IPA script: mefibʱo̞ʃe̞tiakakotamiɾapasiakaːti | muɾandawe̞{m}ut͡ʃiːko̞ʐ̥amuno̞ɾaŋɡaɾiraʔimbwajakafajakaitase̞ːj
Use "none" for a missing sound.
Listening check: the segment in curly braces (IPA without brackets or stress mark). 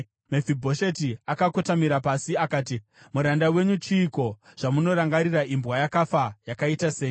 ɲ